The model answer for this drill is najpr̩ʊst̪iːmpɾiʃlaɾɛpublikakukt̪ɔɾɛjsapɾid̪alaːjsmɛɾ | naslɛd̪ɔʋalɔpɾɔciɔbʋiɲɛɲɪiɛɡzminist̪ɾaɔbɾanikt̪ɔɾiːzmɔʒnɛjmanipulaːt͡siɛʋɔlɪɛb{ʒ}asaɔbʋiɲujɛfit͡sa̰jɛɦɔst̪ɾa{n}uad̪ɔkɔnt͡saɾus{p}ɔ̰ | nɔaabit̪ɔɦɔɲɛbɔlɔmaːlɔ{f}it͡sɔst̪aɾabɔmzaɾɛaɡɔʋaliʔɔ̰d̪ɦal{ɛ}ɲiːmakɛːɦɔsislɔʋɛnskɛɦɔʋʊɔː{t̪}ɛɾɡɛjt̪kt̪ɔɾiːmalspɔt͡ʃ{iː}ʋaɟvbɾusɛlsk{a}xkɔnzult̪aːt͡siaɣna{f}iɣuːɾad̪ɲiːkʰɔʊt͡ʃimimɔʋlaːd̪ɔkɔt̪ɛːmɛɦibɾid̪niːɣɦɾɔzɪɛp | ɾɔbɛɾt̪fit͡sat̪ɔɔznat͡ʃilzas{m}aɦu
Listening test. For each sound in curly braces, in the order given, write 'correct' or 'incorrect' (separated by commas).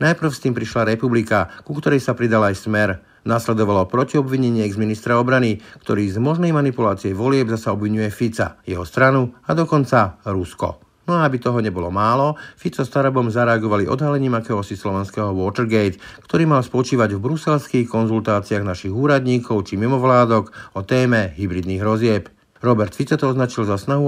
incorrect, correct, incorrect, correct, correct, correct, correct, incorrect, incorrect, incorrect